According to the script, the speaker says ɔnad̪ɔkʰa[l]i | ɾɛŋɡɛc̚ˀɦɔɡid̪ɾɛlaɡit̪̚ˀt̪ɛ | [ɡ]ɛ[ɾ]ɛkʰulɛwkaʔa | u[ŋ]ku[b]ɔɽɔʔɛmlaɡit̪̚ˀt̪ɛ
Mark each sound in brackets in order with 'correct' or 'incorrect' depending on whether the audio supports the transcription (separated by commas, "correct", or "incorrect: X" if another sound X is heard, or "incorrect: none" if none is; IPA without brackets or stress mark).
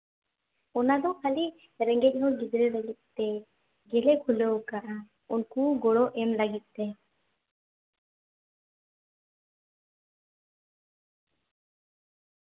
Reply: correct, correct, incorrect: l, incorrect: n, incorrect: ɡ